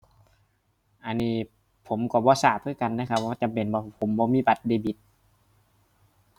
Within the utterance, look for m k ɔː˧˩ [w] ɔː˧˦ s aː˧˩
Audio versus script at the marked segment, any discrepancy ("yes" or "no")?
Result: yes